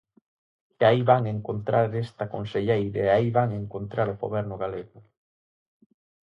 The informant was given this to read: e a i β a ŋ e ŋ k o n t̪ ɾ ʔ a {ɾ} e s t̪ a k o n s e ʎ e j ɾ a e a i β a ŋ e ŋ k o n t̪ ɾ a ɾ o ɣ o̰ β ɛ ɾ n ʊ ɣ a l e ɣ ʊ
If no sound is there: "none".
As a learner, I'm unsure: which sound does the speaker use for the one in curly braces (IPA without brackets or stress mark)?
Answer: ɾ